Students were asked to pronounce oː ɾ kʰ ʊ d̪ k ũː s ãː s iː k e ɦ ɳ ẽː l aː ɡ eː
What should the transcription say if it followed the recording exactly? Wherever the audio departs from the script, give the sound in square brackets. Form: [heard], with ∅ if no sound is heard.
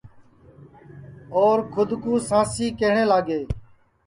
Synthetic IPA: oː ɾ kʰ ʊ d̪ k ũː s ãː s iː k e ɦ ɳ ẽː l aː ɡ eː